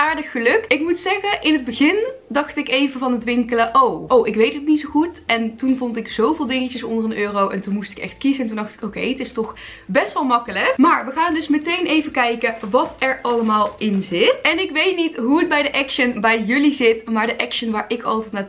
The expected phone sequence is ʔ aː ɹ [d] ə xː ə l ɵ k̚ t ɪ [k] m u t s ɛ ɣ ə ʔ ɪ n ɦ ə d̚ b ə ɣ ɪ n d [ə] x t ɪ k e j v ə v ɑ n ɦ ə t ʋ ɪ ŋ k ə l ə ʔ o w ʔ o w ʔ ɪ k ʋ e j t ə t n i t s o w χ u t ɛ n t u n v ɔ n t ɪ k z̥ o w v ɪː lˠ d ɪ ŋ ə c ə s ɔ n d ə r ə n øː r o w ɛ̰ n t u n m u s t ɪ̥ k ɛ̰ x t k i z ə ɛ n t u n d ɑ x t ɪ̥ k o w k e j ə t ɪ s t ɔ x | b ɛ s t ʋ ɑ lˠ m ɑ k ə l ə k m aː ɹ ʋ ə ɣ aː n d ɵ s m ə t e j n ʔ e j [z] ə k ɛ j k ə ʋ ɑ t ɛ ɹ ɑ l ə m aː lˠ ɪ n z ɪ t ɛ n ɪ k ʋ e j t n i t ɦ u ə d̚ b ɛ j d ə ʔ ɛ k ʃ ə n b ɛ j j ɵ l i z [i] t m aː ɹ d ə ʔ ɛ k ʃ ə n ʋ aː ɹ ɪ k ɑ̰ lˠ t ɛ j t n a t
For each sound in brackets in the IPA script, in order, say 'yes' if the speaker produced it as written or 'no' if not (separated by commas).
yes, yes, no, no, no